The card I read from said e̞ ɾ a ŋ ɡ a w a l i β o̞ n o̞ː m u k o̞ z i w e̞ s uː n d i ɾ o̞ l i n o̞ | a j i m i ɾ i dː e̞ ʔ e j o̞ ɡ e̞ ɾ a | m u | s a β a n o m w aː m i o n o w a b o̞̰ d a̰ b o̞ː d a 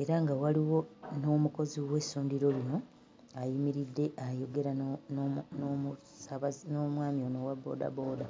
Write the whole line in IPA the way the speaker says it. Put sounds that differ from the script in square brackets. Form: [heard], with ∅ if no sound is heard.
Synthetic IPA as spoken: e̞ ɾ a ŋ ɡ a w a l i [w] o̞ n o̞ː m u k o̞ z i w e̞ s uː n d i ɾ o̞ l i n o̞ | a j i m i ɾ i dː e̞ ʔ [a] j o̞ ɡ e̞ ɾ a | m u | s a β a n o m w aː m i o n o w a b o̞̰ d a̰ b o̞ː d a

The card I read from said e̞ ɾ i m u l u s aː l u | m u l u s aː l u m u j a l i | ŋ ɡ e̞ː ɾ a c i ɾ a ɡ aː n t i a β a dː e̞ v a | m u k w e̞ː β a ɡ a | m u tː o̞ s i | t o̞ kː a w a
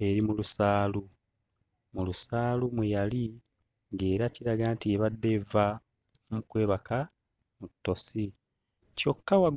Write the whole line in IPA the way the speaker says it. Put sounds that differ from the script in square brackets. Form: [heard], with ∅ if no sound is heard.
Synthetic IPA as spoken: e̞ ɾ i m u l u s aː l u | m u l u s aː l u m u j a l i | ŋ ɡ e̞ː ɾ a c i ɾ a ɡ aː n t i [e] β a dː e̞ v a | m u k w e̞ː β a [k] a | m u tː o̞ s i | [c] o̞ kː a w a

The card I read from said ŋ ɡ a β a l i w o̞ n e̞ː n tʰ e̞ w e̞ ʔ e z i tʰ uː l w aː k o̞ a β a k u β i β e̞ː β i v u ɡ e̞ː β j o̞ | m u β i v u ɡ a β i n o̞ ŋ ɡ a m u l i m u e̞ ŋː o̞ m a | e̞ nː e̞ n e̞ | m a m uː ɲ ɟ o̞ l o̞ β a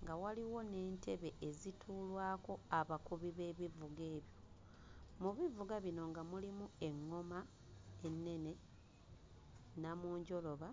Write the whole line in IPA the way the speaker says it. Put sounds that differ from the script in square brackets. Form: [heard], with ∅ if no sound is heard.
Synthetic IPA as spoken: ŋ ɡ a [w] a l i w o̞ n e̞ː n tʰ e̞ [β] e̞ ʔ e z i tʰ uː l w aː k o̞ a β a k u β i β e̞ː β i v u ɡ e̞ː β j o̞ | m u β i v u ɡ a β i n o̞ ŋ ɡ a m u l i m u e̞ ŋː o̞ m a | e̞ nː e̞ n e̞ | [n] a m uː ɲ ɟ o̞ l o̞ β a

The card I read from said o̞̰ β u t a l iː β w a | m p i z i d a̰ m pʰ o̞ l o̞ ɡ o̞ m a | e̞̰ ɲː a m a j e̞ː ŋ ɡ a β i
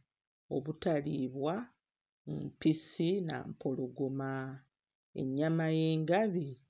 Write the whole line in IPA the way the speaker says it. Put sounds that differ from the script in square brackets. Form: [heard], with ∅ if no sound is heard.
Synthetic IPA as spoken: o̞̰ β u t a l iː β w a | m p i [s] i [n] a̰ m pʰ o̞ l o̞ ɡ o̞ m a | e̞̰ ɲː a m a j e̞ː ŋ ɡ a β i

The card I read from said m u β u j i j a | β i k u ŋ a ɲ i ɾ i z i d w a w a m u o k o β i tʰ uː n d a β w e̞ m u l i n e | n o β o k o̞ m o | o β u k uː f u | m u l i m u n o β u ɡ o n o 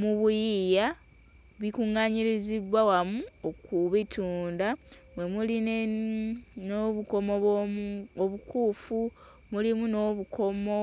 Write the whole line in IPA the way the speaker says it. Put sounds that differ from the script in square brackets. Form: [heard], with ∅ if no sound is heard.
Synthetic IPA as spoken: m u β u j i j a | β i k u ŋ a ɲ i ɾ i z i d w a w a m u o k [u] β i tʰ uː n d a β w e̞ m u l i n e | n o β [u] k o̞ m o | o β u k uː f u | m u l i m u n o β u [k] o [m] o

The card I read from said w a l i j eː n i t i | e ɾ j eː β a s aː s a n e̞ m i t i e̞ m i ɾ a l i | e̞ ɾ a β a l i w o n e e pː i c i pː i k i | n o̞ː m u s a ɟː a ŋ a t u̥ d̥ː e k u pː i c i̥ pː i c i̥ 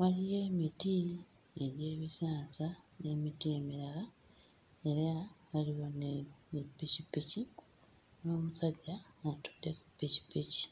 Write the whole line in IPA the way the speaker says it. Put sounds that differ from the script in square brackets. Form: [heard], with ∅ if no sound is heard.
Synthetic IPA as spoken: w a l i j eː [m] i t i | e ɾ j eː β [i] s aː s a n e̞ m i t i e̞ m i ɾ a l [a] | e̞ ɾ a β a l i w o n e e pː i c i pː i [c] i | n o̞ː m u s a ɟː a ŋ a t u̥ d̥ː e k u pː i c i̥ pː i c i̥

